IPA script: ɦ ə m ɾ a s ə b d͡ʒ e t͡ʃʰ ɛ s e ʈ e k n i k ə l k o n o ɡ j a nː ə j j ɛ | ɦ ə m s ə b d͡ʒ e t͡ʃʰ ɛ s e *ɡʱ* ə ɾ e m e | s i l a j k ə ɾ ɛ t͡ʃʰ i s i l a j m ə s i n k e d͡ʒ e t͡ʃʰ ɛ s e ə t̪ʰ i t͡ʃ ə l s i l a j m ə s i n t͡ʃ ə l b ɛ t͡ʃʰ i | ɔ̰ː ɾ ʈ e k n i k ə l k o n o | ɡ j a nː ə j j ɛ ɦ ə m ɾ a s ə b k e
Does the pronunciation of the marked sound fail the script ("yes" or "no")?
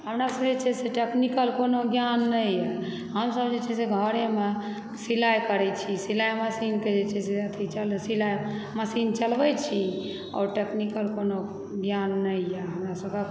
no